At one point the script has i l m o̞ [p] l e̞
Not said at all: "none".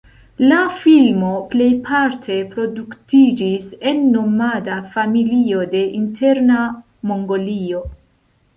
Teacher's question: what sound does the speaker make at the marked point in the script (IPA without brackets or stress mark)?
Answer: p